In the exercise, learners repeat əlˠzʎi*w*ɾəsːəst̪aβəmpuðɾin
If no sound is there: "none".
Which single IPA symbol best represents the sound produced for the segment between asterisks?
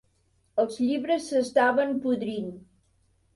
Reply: β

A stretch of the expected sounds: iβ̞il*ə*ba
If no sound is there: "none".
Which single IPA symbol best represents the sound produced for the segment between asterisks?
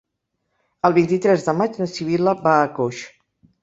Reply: ə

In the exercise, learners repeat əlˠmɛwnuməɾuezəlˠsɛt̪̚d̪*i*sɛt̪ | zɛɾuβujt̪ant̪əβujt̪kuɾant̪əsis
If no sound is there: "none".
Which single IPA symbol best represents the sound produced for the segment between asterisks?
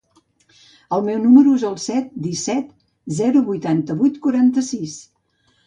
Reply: i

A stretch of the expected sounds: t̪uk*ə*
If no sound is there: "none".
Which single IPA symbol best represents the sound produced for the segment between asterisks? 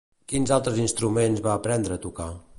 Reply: a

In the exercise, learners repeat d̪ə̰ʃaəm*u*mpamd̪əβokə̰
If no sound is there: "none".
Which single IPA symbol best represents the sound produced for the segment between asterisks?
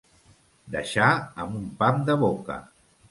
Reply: u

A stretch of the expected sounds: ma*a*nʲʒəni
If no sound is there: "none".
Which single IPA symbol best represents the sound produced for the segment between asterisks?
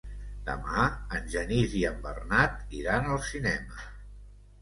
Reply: ə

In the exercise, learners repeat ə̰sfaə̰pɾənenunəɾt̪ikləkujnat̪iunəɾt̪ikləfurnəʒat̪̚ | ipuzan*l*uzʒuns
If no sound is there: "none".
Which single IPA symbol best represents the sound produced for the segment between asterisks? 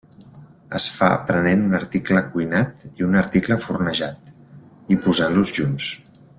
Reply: l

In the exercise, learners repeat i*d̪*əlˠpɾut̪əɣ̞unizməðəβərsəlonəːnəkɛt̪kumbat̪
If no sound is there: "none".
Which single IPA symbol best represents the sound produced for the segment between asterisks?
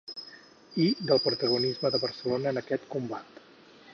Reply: d̪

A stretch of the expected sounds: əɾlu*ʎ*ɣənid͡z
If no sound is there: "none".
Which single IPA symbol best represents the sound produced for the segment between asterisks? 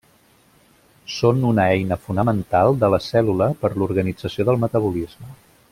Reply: ɾ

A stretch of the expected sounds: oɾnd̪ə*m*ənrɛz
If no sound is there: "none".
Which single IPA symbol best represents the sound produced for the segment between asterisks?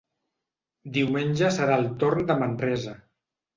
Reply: m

